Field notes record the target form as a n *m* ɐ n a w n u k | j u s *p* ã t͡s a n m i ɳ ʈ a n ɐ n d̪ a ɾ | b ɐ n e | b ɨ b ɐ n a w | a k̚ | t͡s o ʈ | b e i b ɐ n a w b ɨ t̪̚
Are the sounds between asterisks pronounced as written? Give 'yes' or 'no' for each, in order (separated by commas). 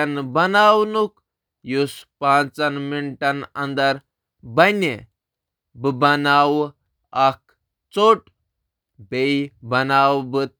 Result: no, yes